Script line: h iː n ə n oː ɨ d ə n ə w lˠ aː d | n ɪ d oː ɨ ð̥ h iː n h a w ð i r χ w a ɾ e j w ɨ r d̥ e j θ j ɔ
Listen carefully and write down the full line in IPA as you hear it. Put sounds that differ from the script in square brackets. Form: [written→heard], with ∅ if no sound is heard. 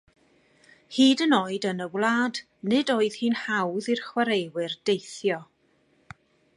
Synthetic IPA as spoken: h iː [n→d] ə n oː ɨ d ə n ə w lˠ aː d | n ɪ d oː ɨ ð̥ h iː n h a w ð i r χ w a ɾ e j w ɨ r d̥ e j θ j ɔ